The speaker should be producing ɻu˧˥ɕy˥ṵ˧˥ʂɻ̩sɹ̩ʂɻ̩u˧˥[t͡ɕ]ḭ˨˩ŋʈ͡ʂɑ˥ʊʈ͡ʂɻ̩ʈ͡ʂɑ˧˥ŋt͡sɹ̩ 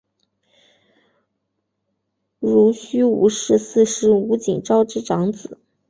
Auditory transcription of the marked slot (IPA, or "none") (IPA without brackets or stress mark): t͡ɕ